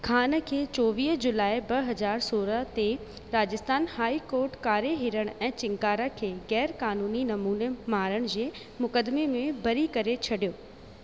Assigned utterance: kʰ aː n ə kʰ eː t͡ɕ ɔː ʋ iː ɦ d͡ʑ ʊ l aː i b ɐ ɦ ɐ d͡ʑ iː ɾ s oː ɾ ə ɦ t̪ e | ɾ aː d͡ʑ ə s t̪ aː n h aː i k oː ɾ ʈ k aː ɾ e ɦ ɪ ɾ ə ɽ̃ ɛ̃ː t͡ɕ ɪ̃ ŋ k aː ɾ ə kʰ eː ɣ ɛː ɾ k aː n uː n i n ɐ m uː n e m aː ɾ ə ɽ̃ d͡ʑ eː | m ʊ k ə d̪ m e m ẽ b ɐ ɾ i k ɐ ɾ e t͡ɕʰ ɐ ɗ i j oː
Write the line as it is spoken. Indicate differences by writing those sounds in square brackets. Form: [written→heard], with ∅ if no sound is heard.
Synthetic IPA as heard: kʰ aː n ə kʰ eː t͡ɕ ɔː ʋ iː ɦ d͡ʑ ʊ l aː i b ɐ ɦ ɐ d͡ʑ [iː→aː] ɾ s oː ɾ ə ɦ t̪ e | ɾ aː d͡ʑ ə s t̪ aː n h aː i k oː ɾ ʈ k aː ɾ e ɦ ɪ ɾ ə ɽ̃ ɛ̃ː t͡ɕ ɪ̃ ŋ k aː ɾ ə kʰ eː ɣ ɛː ɾ k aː n uː n i n ɐ m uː n e m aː ɾ ə ɽ̃ d͡ʑ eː | m ʊ k ə d̪ m e m ẽ b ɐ ɾ i k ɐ ɾ e t͡ɕʰ ɐ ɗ i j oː